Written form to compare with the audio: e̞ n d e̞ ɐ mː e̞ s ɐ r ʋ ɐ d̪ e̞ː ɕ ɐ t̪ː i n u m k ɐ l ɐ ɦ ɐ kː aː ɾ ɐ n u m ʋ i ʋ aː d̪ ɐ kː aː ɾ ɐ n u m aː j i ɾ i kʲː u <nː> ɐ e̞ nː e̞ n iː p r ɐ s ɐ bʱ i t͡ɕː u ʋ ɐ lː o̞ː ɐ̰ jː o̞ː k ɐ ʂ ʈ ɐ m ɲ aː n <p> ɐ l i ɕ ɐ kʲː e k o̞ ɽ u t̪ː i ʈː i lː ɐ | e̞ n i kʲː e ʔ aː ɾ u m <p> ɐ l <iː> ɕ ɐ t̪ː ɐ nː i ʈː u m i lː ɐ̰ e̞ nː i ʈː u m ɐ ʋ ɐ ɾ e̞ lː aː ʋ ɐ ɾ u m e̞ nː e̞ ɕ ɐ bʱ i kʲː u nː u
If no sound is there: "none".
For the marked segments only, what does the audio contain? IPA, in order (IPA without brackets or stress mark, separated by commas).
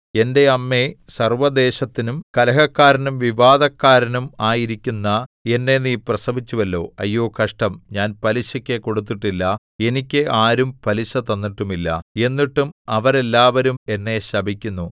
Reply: nː, p, p, i